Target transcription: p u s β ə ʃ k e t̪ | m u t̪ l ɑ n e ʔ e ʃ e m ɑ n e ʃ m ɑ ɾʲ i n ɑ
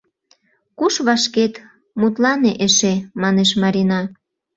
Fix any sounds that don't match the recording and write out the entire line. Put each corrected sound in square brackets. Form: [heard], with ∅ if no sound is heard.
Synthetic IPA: [k] u [ʃ] β [ɑ] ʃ k e t̪ | m u t̪ l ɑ n e ʔ e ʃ e m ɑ n e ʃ m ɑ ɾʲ i n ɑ